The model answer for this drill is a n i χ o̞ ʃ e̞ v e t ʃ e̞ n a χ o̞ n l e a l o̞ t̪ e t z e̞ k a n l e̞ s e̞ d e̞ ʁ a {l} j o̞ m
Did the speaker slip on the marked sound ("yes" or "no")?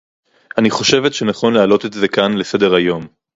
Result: yes